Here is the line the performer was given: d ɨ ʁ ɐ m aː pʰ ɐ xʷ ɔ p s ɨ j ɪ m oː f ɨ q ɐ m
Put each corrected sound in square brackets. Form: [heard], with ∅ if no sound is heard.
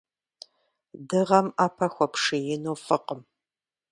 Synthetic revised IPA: d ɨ ʁ ɐ m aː pʰ ɐ xʷ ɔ p [ʂ] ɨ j ɪ [n] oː f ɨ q [ə] m